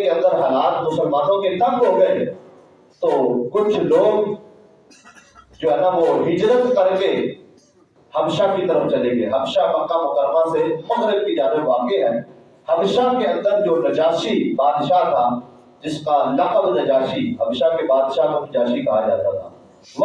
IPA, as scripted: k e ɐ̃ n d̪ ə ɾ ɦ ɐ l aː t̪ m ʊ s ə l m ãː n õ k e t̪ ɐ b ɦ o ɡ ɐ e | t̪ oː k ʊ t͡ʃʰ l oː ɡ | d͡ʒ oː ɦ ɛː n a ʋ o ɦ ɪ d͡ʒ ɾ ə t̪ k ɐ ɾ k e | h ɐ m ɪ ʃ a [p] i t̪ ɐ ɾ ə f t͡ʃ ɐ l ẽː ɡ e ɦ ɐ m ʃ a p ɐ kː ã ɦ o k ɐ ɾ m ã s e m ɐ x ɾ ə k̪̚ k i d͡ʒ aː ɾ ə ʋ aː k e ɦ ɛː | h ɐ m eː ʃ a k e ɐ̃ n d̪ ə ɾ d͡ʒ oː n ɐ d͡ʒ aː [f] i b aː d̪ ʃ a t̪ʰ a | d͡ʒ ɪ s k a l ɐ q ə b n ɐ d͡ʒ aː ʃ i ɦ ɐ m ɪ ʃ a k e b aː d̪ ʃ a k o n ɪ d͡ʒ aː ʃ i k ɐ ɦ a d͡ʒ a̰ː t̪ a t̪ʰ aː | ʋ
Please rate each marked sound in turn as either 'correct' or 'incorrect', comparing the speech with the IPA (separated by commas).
incorrect, incorrect